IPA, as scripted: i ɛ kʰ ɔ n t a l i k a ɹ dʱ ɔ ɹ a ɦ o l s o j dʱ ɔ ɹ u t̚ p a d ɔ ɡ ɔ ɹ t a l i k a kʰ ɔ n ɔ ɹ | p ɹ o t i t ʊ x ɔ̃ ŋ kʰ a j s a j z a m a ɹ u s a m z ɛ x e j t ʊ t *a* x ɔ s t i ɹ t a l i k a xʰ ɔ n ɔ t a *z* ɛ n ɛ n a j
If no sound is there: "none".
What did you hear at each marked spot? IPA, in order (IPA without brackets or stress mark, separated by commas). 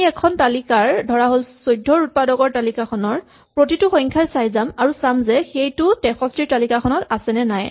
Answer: ɛ, s